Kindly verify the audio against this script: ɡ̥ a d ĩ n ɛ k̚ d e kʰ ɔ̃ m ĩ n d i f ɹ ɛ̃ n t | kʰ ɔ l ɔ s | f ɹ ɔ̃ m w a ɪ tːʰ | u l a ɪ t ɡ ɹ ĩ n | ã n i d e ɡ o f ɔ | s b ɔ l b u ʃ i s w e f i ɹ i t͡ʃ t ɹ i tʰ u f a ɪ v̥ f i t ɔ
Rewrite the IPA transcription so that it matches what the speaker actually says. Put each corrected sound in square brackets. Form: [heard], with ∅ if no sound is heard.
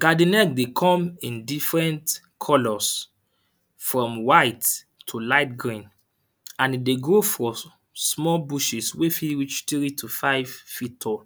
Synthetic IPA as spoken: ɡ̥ a d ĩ n ɛ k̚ d e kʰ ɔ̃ m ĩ n d i f ɹ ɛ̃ n t | kʰ ɔ l ɔ s | f ɹ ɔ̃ m w a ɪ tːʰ | u l a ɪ t ɡ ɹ ĩ n | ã n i d e ɡ o f ɔ | s [m] ɔ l b u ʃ i s w e f i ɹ i t͡ʃ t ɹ i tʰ u f a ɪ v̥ f i t ɔ